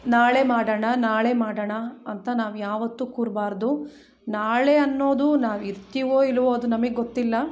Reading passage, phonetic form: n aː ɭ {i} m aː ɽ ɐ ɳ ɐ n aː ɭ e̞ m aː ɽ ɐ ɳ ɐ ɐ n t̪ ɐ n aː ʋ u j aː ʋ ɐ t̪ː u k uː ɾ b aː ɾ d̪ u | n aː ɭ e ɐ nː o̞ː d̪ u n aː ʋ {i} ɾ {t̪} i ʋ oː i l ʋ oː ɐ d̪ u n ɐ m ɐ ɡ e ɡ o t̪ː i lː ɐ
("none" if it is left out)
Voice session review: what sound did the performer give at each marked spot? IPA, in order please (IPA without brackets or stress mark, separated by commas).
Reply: e, i, t̪